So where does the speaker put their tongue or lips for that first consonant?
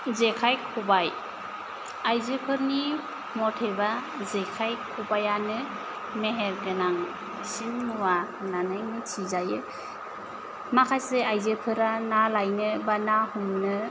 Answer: tongue tip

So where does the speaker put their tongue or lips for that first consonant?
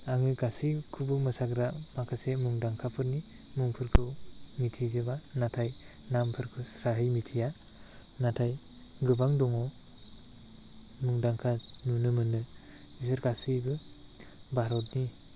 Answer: velum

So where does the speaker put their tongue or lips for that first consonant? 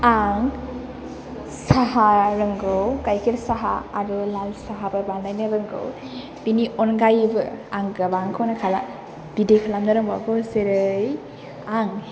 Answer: velum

